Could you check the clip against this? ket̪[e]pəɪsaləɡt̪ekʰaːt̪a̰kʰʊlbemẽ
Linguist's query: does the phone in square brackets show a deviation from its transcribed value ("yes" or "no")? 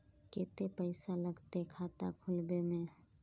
no